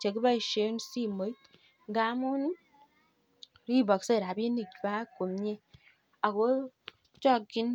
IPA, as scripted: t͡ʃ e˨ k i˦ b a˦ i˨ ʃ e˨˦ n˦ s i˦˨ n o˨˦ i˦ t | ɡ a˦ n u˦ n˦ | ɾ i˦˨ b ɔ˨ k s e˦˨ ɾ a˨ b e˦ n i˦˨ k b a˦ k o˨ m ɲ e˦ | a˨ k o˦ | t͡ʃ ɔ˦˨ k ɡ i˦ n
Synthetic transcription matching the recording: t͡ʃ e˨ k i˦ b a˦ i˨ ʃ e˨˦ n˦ s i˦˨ m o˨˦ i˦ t | ɡ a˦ m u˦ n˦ | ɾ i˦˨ b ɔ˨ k s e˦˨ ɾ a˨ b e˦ n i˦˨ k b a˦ k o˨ m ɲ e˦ | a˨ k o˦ | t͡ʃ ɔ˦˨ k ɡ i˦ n